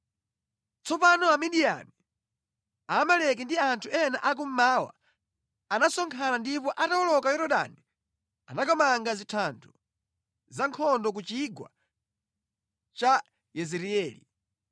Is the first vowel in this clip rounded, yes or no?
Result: yes